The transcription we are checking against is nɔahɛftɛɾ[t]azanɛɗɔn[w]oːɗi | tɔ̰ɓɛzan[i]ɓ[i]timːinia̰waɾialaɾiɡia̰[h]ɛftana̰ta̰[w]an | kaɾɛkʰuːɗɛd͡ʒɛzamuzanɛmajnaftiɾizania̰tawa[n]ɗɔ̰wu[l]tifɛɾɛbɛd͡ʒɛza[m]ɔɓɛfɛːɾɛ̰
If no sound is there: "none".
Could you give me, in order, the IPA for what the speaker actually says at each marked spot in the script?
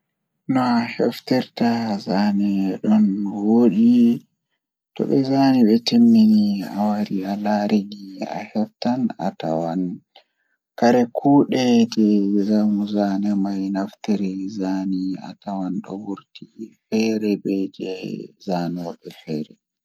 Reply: t, w, i, ɛ, h, w, n, ɾ, n

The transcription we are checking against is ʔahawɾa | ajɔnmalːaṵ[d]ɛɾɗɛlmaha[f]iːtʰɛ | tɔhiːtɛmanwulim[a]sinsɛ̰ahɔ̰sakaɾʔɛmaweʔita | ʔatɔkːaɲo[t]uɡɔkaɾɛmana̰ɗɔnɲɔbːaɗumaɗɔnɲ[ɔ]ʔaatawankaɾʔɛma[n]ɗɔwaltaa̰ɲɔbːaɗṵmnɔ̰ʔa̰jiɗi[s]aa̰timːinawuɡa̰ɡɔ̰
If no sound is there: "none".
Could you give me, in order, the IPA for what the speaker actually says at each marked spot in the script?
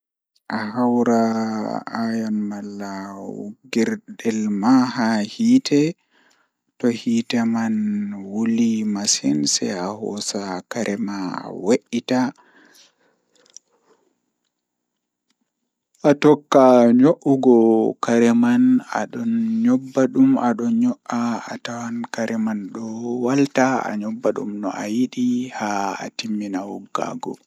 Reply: ɡ, h, a, ʔ, ɔ, n, h

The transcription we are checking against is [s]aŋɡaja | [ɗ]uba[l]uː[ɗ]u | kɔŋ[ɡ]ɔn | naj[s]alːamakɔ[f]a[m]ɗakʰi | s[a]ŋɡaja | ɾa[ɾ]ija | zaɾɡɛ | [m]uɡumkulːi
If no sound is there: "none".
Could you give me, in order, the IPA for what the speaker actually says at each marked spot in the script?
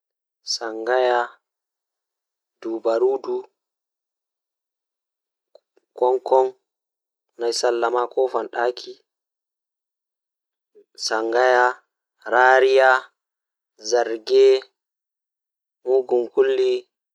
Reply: s, d, ɾ, d, k, s, f, n, a, ɾ, m

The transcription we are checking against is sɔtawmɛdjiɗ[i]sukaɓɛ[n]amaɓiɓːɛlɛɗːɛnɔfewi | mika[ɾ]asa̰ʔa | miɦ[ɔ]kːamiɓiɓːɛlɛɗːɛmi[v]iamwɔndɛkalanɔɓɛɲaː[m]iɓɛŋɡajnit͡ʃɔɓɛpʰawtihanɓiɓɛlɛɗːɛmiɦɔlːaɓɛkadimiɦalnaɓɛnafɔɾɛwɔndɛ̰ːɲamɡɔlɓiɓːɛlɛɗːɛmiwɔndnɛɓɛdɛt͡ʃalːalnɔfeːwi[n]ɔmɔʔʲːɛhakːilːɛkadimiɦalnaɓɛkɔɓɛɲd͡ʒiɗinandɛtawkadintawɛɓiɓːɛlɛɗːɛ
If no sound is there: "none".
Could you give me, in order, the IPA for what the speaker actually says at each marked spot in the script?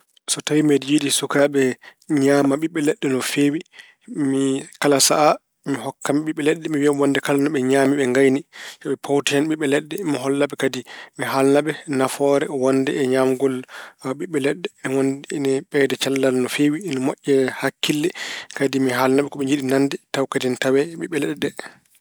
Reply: i, ɲ, l, ɔ, w, m, n

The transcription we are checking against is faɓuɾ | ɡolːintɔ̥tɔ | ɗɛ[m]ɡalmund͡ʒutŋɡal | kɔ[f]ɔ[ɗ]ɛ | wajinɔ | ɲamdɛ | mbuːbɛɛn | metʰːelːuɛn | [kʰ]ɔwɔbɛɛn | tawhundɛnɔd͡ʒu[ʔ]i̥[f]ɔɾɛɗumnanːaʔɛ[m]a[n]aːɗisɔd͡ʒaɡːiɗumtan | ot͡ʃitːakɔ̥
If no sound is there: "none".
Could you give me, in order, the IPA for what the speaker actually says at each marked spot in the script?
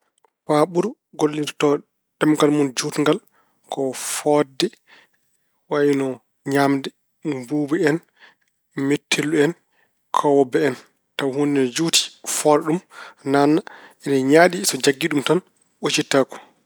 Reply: m, f, d, kʰ, t, f, n, ɲ

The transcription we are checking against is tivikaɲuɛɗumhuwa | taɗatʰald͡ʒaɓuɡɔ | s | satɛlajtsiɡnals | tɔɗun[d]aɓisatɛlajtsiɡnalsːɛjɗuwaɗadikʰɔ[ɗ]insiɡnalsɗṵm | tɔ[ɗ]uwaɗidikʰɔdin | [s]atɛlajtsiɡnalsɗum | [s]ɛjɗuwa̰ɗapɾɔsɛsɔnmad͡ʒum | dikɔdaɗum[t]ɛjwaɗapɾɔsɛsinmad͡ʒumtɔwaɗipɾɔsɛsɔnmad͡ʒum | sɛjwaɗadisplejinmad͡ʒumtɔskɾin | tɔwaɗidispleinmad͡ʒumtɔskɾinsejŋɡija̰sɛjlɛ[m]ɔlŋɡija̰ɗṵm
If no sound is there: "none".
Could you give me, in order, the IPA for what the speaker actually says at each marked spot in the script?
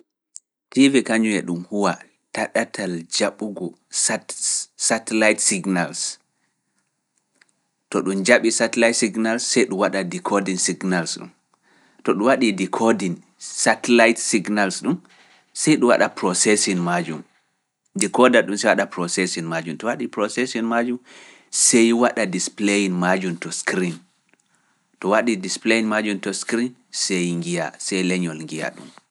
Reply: d͡ʒ, d, ɗ, s, s, s, ɲ

